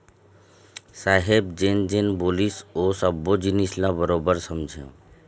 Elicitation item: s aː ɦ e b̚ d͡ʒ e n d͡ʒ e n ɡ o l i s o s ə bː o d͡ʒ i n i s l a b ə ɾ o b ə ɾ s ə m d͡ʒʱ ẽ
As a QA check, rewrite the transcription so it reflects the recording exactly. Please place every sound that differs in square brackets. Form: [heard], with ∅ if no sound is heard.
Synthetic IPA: s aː ɦ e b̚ d͡ʒ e n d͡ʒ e n [b] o l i s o s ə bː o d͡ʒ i n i s l a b ə ɾ o b ə ɾ s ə m d͡ʒʱ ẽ